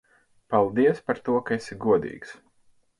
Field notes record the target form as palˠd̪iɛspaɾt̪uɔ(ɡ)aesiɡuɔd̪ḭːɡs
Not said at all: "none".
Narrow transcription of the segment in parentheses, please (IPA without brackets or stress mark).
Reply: k